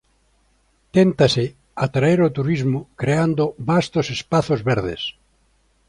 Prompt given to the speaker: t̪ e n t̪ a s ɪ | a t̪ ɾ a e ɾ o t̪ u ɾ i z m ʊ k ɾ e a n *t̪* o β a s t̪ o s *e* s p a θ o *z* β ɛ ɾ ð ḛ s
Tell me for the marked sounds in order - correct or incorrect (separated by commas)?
incorrect, correct, correct